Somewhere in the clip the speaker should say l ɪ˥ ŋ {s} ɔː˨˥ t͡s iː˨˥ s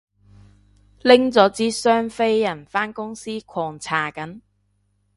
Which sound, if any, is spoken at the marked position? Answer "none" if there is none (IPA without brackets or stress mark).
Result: t͡s